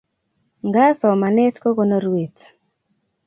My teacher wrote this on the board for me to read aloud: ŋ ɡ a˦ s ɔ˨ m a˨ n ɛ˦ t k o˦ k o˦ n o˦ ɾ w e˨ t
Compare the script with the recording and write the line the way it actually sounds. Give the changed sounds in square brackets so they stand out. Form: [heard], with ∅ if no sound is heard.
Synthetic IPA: ŋ ɡ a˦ s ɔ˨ m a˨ n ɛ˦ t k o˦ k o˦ n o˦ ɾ w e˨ t

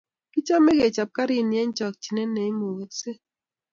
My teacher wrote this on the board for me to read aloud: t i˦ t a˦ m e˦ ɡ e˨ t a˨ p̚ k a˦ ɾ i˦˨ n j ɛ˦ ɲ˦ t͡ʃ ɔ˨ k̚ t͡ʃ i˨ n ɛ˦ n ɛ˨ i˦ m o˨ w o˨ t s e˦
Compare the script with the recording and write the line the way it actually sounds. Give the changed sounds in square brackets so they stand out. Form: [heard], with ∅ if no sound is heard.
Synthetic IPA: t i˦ [t͡ʃ] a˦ m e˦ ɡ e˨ [t͡ʃ] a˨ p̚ k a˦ ɾ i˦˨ n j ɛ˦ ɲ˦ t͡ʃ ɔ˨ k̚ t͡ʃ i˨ n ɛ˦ n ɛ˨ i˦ m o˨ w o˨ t s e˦

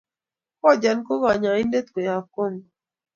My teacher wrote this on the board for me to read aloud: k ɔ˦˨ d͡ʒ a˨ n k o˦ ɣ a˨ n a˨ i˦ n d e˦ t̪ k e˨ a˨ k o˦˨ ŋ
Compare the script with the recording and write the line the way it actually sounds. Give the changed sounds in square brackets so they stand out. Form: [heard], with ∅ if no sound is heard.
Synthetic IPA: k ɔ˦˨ d͡ʒ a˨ n k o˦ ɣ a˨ [ɲ] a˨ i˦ n d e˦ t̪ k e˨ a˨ k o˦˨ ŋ

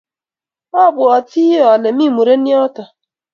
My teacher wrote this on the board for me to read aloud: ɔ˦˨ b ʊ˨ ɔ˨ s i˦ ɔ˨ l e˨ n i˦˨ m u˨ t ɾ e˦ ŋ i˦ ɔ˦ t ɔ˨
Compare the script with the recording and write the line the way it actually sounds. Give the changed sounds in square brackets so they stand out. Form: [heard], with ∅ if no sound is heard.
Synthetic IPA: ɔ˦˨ b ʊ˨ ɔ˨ [t] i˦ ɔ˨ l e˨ [m] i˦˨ m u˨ [∅] ɾ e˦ [n] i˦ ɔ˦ t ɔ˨

